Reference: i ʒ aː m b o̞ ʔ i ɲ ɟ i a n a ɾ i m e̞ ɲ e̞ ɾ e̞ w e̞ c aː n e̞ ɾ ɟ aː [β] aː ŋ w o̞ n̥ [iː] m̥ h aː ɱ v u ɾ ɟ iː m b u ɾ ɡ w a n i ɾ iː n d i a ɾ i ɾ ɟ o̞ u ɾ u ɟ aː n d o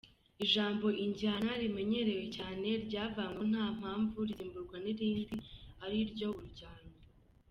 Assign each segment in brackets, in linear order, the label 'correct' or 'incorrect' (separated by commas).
incorrect, incorrect